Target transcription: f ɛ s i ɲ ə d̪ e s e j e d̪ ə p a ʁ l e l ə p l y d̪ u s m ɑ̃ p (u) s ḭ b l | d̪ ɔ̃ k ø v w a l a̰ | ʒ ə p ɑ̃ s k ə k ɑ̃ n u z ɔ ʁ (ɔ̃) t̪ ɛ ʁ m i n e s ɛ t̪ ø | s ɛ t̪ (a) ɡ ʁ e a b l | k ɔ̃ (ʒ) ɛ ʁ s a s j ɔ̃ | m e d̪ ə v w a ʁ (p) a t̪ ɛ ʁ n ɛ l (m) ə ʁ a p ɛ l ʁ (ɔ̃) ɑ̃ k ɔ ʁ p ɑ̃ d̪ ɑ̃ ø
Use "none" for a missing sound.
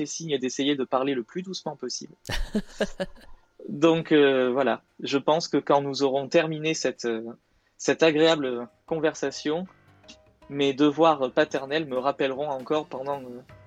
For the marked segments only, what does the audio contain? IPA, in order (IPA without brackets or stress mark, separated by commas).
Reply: ɔ, ɔ̃, a, v, p, m, ɔ̃